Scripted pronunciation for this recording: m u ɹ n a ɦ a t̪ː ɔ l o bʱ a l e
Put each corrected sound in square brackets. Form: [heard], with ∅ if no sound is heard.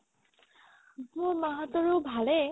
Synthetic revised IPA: m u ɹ [m] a ɦ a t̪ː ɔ [ɹ] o bʱ a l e